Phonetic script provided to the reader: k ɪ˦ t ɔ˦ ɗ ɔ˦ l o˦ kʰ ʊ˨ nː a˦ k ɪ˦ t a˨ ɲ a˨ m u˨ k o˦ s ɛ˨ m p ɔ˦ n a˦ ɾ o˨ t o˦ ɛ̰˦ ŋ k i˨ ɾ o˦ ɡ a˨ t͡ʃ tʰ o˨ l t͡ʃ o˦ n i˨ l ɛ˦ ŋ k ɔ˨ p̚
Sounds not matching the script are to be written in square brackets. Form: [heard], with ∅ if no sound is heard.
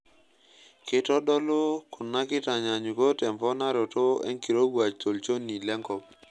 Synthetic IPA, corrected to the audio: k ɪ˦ t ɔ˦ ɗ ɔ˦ l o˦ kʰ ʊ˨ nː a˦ k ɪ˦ t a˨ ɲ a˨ [ɲ] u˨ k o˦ [t] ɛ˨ m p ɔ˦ n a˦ ɾ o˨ t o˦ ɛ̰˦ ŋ k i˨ ɾ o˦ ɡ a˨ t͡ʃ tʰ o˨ l t͡ʃ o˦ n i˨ l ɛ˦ ŋ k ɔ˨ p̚